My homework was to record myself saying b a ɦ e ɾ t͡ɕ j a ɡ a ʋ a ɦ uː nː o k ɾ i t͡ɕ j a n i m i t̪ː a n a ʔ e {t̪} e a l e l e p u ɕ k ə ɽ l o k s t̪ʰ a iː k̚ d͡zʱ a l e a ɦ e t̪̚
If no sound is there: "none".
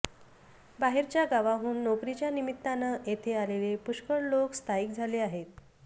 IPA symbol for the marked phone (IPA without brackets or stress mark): t̪ʰ